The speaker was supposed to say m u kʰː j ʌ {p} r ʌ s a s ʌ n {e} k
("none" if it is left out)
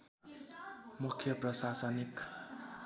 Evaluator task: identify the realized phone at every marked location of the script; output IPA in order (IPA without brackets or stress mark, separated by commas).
p, i